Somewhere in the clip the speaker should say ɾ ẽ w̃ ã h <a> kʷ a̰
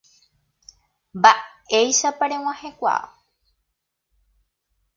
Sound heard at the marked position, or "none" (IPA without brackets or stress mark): e